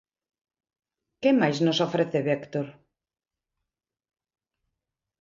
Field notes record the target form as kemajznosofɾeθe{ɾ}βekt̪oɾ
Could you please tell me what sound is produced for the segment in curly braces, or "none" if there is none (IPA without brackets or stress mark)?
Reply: none